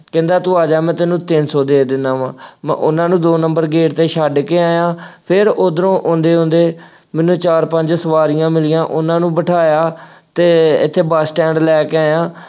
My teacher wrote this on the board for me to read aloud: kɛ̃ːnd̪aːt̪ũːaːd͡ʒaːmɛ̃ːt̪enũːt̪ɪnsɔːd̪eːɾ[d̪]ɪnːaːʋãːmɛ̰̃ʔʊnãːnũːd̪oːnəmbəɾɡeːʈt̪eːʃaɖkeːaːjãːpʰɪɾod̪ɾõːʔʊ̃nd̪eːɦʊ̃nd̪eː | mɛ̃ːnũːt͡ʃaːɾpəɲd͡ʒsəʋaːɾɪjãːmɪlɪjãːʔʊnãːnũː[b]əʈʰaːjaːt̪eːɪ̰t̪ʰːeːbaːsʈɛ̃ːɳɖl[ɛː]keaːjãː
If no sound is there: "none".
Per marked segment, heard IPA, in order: d̪, b, ɛː

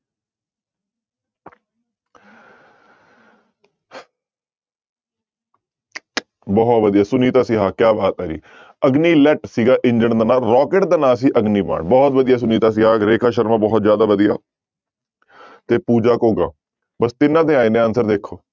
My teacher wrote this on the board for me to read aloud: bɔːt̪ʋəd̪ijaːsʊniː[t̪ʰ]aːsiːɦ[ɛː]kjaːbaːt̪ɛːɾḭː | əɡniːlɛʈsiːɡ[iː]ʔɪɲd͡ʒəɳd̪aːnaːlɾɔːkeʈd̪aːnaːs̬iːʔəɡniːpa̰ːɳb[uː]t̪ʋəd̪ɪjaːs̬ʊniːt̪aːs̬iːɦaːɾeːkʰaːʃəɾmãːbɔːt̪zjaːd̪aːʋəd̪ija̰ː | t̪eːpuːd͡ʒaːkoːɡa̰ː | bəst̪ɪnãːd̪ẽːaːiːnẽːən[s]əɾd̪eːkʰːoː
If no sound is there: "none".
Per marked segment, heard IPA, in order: t̪, aː, aː, ɔː, s

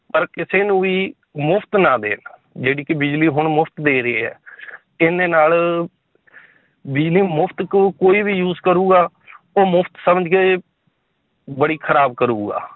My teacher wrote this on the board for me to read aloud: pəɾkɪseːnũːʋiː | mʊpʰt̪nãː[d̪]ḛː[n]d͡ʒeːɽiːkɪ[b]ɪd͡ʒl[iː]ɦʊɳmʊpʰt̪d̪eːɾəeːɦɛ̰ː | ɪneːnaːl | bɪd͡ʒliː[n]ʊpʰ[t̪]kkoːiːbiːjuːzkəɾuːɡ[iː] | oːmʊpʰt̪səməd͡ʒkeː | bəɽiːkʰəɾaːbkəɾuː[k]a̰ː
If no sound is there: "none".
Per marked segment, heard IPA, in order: d̪, n, b, iː, m, t̪, aː, ɡ

